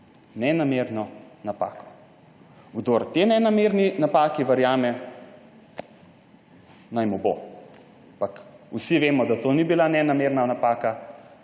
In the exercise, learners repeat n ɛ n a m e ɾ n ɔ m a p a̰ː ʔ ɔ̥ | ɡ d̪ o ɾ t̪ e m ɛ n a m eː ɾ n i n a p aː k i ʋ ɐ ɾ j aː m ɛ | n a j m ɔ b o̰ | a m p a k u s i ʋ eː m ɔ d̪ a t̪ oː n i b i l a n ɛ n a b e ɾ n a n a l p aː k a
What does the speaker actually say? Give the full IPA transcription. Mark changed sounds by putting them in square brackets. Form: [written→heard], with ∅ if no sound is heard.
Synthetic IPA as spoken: n ɛ n a m e ɾ n ɔ [m→n] a p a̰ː [ʔ→k] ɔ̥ | ɡ d̪ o ɾ t̪ e [m→n] ɛ n a m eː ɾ n i n a p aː k i ʋ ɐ ɾ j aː m ɛ | n a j m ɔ b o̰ | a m p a k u s i ʋ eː m ɔ d̪ a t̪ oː n i b i l a n ɛ n a [b→m] e ɾ n a n a [l→∅] p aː k a